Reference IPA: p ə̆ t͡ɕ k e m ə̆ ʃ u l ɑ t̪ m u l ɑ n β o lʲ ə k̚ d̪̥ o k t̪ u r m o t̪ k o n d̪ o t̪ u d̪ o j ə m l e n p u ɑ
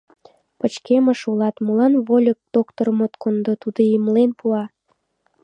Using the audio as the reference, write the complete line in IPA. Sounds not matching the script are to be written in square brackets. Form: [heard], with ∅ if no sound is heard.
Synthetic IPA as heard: p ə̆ t͡ɕ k e m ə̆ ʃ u l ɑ t̪ m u l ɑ n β o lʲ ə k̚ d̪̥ o k t̪ [o] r m o t̪ k o n d̪ o t̪ u d̪ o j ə m l e n p u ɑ